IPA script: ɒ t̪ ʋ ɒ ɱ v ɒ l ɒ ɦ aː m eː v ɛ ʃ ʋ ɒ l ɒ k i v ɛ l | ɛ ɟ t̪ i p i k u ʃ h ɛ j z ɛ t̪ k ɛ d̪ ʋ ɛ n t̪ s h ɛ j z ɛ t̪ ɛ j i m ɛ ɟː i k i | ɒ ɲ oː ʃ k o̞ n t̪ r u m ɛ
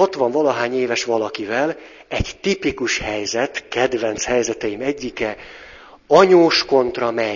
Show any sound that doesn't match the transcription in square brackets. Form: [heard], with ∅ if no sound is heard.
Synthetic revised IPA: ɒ t̪ ʋ ɒ ɱ v ɒ l ɒ ɦ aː [ɲ] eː v ɛ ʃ ʋ ɒ l ɒ k i v ɛ l | ɛ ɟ t̪ i p i k u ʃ h ɛ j z ɛ t̪ k ɛ d̪ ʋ ɛ n t̪ s h ɛ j z ɛ t̪ ɛ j i m ɛ ɟː i k [ɛ] | ɒ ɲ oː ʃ k o̞ n t̪ r [ɒ] m ɛ